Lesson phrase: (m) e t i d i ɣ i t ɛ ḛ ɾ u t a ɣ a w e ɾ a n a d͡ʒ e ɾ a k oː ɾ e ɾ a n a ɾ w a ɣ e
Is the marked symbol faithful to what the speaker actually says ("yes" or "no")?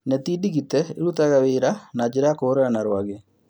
no